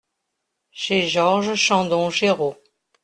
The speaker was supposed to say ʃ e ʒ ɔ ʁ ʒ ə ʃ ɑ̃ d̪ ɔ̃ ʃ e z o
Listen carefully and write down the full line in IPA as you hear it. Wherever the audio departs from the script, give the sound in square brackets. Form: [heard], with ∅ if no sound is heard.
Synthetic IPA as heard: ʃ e ʒ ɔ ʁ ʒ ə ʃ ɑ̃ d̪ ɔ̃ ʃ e [ʁ] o